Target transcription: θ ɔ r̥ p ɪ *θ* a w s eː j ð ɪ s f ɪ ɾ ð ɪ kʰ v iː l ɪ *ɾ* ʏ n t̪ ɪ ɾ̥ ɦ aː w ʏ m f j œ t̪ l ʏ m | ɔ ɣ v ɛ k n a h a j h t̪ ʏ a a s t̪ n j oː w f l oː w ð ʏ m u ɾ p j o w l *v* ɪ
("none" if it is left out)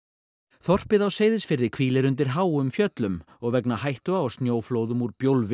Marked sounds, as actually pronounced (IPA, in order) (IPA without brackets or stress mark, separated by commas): ð, ɾ, v